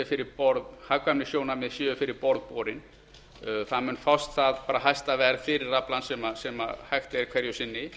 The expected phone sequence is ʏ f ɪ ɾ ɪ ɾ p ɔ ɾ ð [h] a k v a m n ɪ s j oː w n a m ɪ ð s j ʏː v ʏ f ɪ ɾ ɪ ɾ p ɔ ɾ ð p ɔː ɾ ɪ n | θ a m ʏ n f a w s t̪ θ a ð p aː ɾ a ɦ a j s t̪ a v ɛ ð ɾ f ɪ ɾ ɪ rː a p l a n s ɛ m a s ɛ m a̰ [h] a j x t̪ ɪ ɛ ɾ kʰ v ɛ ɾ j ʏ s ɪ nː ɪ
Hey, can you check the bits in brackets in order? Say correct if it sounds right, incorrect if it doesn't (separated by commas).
correct, correct